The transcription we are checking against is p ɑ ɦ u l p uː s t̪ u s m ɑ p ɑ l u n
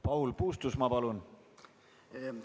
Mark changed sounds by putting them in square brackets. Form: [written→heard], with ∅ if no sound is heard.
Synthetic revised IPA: p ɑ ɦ u l p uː s t̪ u s m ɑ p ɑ l u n